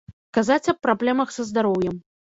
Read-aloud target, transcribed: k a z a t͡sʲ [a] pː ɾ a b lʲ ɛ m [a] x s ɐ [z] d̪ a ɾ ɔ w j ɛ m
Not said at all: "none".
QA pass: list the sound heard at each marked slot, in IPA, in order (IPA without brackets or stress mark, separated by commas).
ɐ, ɐ, z